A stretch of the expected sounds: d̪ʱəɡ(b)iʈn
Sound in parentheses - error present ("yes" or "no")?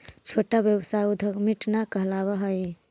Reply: yes